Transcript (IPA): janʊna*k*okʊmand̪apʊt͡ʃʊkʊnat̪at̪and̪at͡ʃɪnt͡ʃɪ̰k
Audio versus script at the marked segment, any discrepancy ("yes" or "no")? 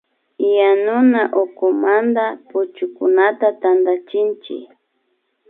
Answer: yes